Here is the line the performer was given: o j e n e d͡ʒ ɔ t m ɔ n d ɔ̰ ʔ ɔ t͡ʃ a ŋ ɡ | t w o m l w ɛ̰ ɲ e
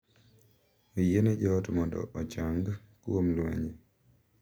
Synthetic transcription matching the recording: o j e n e d͡ʒ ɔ t m ɔ n d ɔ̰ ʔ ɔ t͡ʃ a ŋ ɡ | k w o m l w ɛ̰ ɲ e

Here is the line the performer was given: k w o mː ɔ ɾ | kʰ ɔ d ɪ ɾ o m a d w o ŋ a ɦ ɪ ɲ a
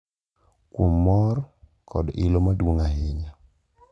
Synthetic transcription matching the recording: k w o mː ɔ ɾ | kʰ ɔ d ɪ l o m a d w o ŋ a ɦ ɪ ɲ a

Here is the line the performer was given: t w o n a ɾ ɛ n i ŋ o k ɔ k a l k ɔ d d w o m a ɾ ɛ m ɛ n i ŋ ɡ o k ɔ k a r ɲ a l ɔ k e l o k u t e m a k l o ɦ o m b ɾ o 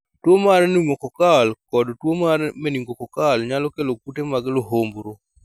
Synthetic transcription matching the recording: t w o m a ɾ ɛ n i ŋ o k ɔ k a l k ɔ d t w o m a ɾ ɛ m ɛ n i ŋ ɡ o k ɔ k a l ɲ a l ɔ k e l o k u t e m a ɡ l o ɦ o m b ɾ o

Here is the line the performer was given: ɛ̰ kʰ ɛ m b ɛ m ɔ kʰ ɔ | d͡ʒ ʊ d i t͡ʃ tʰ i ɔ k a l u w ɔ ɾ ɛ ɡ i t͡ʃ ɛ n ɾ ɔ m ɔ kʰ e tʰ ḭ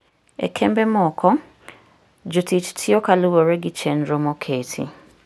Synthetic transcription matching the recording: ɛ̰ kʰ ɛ m b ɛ m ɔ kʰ ɔ | d͡ʒ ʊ t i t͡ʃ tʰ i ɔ k a l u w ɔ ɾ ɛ ɡ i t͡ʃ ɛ n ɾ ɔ m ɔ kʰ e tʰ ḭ

